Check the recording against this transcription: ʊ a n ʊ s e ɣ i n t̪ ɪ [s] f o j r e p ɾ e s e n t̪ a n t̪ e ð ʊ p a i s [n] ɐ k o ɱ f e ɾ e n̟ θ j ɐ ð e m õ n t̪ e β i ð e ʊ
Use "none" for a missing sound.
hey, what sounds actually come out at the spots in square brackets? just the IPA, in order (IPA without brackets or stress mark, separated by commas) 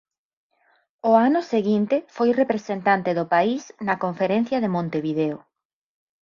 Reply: none, n